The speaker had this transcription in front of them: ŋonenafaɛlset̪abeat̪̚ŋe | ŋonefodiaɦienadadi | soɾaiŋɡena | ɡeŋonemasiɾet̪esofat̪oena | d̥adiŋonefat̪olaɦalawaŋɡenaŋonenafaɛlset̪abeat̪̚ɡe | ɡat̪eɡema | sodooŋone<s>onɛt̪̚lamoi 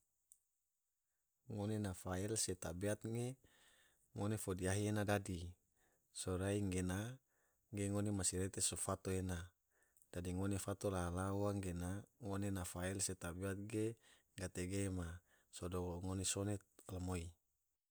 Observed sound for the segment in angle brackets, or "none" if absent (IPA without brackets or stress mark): s